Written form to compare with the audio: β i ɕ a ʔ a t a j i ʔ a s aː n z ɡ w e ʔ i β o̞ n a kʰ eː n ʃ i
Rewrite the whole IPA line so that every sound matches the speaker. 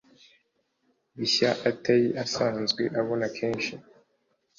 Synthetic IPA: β i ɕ a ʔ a t a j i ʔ a s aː n z ɡ w e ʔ a β o̞ n a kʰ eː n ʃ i